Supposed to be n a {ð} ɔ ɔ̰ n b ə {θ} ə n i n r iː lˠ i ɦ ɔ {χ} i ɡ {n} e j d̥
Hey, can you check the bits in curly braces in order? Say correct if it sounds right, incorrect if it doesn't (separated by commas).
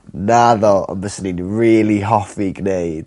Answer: correct, incorrect, incorrect, correct